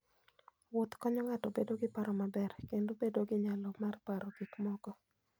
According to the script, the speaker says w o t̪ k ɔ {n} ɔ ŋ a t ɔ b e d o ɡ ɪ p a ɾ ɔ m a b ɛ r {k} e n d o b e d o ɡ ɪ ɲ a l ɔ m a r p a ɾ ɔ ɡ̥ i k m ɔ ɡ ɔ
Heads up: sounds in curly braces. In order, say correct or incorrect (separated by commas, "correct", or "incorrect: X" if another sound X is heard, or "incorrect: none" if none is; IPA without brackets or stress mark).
incorrect: ɲ, correct